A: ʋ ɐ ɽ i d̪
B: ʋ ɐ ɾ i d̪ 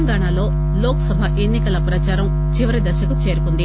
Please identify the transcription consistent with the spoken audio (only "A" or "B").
B